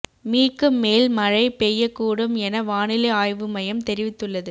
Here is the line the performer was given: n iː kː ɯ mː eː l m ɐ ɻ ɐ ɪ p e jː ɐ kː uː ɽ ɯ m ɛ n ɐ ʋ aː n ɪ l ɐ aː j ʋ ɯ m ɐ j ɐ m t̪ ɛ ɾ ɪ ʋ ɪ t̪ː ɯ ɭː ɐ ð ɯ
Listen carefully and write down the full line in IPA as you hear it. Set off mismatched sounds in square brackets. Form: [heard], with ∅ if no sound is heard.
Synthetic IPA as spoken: [m] iː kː ɯ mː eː l m ɐ ɻ ɐ ɪ p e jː ɐ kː uː ɽ ɯ m ɛ n ɐ ʋ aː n ɪ l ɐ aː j ʋ ɯ m ɐ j ɐ m t̪ ɛ ɾ ɪ ʋ ɪ t̪ː ɯ ɭː ɐ ð ɯ